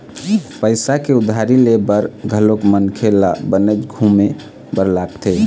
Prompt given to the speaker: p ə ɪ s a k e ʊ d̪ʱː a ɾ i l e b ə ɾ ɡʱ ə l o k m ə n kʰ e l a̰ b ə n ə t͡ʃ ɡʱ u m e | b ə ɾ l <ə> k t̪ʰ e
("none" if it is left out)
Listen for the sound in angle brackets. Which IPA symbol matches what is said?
a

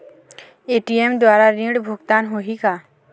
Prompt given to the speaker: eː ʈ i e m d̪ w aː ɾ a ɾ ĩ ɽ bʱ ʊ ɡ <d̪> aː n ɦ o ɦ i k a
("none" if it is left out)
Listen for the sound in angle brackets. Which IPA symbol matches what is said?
t̪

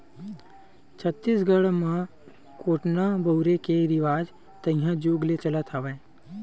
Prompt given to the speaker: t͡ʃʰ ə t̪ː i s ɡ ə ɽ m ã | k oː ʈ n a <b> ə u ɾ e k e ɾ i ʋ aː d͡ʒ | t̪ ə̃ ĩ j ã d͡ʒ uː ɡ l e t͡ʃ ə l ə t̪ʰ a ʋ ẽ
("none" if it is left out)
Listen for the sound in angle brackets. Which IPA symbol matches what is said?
b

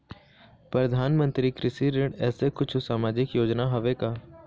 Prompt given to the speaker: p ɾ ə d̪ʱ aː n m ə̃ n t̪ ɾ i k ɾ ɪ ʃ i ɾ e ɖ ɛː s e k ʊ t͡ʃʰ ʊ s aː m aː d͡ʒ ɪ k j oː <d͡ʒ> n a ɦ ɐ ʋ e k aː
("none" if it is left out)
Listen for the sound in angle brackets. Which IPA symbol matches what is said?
d͡ʒ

